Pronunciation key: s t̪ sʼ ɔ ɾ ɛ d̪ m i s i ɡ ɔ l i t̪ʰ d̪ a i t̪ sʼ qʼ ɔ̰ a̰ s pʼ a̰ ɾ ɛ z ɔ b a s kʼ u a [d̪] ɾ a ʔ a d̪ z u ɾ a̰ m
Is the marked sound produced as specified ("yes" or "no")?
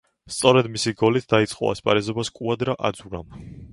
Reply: yes